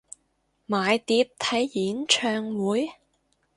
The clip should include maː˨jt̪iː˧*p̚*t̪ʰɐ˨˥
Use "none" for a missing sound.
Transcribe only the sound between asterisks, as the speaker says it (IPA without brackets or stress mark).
p̚